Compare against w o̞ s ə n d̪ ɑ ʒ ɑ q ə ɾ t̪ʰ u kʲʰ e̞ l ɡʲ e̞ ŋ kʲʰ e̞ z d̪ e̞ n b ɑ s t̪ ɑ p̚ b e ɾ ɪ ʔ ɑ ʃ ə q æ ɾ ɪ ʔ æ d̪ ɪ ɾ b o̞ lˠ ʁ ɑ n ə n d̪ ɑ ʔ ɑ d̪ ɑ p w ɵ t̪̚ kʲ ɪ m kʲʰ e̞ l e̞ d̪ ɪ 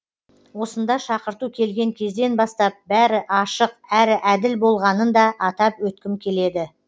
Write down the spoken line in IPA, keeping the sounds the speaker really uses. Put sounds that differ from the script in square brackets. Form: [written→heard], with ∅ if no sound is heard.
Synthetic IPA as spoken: w o̞ s ə n d̪ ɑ [ʒ→ʃ] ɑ q ə ɾ [t̪ʰ→t̪] u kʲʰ e̞ l ɡʲ e̞ ŋ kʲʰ e̞ z d̪ e̞ n b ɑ s t̪ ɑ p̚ b [e→æ] ɾ ɪ ʔ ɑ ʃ ə q æ ɾ ɪ ʔ æ d̪ ɪ [ɾ→l] b o̞ lˠ ʁ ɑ n ə n d̪ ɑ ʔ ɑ [d̪→t̪] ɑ p w ɵ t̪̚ kʲ ɪ m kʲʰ e̞ l e̞ d̪ ɪ

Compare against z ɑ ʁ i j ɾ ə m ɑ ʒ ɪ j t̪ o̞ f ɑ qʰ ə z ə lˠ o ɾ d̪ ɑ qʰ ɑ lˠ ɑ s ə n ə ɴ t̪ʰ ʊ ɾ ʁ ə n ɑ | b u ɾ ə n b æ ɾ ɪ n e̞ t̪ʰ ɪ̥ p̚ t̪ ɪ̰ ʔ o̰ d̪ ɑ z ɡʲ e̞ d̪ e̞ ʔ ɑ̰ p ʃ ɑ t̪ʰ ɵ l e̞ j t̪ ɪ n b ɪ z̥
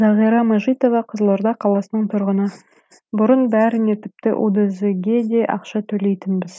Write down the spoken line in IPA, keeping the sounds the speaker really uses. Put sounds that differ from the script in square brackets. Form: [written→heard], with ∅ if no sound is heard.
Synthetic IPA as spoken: z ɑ ʁ i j ɾ [ə→ɑ] m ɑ ʒ [ɪ→i] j t̪ o̞ [f→v] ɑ qʰ ə z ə lˠ o ɾ d̪ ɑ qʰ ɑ lˠ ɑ s ə n ə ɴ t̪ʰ ʊ ɾ ʁ ə n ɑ | b [u→ʊ] ɾ ə n b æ ɾ ɪ n e̞ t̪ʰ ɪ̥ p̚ t̪ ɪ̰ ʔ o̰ d̪ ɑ z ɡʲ e̞ d̪ e̞ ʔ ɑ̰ [p→q] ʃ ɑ t̪ʰ ɵ l e̞ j t̪ ɪ n b ɪ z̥

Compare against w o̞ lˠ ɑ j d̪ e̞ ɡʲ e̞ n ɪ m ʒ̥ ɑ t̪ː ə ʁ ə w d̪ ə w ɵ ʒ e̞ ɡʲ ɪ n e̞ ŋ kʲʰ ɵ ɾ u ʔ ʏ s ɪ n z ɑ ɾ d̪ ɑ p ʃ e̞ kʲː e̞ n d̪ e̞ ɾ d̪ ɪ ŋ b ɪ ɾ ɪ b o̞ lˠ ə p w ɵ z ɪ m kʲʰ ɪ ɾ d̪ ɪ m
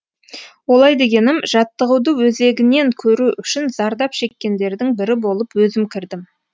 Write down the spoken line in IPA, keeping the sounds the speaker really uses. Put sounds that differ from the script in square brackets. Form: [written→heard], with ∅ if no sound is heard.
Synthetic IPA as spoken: w o̞ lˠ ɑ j d̪ e̞ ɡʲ e̞ n ɪ m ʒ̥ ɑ t̪ː ə ʁ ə w d̪ ə w ɵ [ʒ→z] e̞ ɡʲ ɪ n e̞ ŋ kʲʰ ɵ ɾ u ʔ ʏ [s→ʃ] ɪ n z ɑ ɾ d̪ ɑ p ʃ e̞ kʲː e̞ n d̪ e̞ ɾ d̪ ɪ ŋ b ɪ ɾ ɪ b o̞ lˠ ə p w ɵ z ɪ m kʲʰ ɪ ɾ d̪ ɪ m

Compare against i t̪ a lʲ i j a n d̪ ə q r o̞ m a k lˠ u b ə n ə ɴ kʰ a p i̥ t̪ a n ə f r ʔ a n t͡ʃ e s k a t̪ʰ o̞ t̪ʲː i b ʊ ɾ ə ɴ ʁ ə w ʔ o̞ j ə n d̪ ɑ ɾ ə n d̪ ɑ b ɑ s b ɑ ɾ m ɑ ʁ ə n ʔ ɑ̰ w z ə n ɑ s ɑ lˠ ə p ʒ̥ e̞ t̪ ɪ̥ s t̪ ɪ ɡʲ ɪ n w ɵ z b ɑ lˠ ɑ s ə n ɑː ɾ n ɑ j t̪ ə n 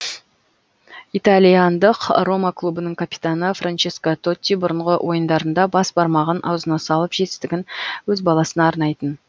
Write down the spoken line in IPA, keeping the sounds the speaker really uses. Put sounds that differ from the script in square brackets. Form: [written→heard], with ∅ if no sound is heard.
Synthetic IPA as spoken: i t̪ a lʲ i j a n d̪ ə q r o̞ m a k lˠ u b ə n ə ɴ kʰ a p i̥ t̪ a n ə f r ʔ a n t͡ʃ e s k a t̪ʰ o̞ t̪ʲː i b ʊ ɾ ə ɴ ʁ ə w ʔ o̞ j ə n d̪ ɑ ɾ ə n d̪ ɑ b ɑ s b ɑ ɾ m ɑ ʁ ə n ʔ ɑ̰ w z ə n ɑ s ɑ lˠ ə p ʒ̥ e̞ t̪ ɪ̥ s t̪ ɪ ɡʲ ɪ n w ɵ z b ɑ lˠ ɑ s ə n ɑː ɾ n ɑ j t̪ ə n

